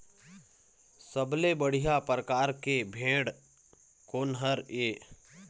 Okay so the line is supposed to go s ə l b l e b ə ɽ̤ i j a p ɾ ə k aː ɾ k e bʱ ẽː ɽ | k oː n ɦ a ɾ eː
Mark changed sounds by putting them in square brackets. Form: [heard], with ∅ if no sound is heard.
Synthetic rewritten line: s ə [∅] b l e b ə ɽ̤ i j a p ɾ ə k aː ɾ k e bʱ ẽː ɽ | k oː n ɦ [ə] ɾ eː